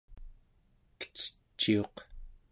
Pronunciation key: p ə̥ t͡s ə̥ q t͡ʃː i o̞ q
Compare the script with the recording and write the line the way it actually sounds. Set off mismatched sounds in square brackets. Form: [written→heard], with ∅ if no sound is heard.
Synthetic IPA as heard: [p→k] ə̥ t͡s ə̥ [q→∅] t͡ʃː i o̞ q

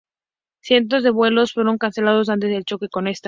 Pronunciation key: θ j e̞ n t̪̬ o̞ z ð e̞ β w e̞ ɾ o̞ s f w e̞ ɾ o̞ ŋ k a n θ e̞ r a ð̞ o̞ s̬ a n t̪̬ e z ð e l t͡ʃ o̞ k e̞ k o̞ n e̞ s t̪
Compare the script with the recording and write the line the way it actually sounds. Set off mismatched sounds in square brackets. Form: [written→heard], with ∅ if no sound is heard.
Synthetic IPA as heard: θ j e̞ n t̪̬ o̞ z ð e̞ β w e̞ [ɾ→l] o̞ s f w e̞ ɾ o̞ ŋ k a n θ e̞ [r→l] a ð̞ o̞ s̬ a n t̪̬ e z ð e l t͡ʃ o̞ k e̞ k o̞ n e̞ s t̪

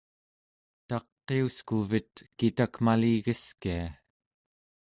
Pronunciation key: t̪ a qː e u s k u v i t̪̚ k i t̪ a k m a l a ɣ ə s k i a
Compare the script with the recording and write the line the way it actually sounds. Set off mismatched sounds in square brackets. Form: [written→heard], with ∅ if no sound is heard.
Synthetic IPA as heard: t̪ [a→ɑ] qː e u s k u v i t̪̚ k i t̪ a k m a l [a→i] ɣ ə s k i a

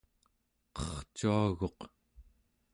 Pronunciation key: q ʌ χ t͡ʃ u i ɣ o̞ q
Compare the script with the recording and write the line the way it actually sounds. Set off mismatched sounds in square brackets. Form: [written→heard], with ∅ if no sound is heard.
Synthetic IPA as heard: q ʌ χ t͡ʃ u [i→a] ɣ o̞ q

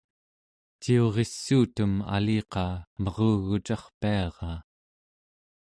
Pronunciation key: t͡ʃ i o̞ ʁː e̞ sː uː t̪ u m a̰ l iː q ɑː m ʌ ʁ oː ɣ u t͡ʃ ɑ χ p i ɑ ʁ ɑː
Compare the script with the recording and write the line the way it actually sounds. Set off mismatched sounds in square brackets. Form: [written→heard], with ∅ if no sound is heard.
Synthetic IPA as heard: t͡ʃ i o̞ [ʁː→ʁ] e̞ sː uː t̪ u m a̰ l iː q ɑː m ʌ ʁ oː ɣ u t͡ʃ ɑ χ p i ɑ ʁ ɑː

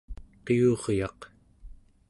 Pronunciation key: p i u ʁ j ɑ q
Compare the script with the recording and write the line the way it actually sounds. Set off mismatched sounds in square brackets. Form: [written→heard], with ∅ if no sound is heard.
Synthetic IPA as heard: [p→q] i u ʁ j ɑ q

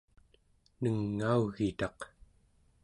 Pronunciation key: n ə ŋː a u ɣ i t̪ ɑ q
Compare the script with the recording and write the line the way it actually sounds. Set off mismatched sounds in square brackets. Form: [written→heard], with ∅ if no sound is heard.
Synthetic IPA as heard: n ə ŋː a u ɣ i t̪ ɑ q

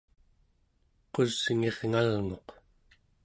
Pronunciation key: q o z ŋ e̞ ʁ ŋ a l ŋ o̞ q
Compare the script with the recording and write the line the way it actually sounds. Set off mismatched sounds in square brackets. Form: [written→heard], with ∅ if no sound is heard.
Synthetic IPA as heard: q o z ŋ e̞ ʁ ŋ a l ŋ o̞ q

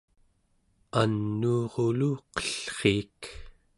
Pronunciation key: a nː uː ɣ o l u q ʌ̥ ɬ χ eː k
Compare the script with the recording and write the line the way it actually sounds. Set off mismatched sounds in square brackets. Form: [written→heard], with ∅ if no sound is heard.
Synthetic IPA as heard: a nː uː [ɣ→ʁ] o l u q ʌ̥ ɬ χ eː k

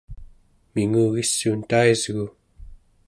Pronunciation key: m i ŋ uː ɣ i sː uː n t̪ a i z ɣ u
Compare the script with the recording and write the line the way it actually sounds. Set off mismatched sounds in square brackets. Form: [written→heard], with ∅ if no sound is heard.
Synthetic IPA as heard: m i ŋ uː ɣ i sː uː n t̪ a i z ɣ u

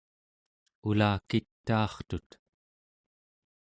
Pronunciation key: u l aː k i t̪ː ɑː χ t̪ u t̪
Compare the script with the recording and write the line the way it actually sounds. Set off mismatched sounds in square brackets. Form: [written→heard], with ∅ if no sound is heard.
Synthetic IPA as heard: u l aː k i t̪ː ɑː χ t̪ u t̪

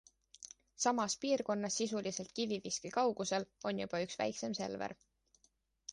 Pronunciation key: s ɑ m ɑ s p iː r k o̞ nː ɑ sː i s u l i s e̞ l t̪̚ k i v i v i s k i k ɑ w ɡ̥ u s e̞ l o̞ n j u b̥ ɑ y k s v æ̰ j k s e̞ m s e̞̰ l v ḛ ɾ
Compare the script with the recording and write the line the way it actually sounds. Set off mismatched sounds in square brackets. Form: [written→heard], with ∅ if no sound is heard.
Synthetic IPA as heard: s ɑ m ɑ s p iː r k o̞ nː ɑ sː i s u l i s e̞ l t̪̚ k i v i v i s k i k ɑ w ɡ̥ u s e̞ l o̞ n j u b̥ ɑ y k s v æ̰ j k s e̞ m s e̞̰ l v ḛ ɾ

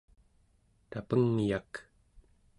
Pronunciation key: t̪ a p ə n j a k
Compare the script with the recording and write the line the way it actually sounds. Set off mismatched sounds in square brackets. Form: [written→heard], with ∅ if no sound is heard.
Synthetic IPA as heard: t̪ a p ə [n→ŋ] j a k

